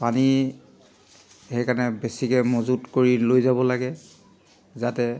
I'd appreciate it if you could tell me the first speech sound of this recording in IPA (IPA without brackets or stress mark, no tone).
p